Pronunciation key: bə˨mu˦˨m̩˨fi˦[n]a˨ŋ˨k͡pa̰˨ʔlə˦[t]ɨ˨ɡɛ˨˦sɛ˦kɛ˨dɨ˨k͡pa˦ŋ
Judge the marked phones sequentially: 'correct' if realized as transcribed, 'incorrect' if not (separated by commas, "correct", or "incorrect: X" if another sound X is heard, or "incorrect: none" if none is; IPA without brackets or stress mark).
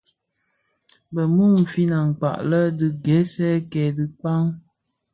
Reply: correct, incorrect: d